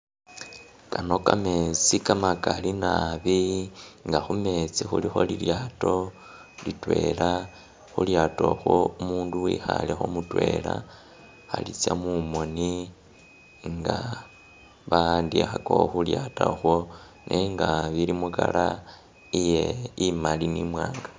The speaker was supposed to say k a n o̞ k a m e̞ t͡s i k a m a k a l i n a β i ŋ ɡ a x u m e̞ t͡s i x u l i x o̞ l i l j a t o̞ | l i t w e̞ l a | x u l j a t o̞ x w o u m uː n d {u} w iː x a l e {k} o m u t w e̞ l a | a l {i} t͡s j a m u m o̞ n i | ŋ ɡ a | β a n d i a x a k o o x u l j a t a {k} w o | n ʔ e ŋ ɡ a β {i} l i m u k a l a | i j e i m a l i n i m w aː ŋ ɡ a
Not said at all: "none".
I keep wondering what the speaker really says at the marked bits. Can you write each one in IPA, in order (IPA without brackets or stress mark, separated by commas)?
u, x, i, x, i